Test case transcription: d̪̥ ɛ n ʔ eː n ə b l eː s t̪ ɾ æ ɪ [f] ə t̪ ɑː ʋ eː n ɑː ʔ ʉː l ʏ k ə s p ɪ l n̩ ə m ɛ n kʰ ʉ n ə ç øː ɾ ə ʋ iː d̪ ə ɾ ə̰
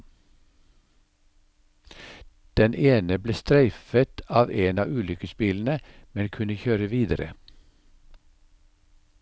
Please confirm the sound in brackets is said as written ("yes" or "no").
yes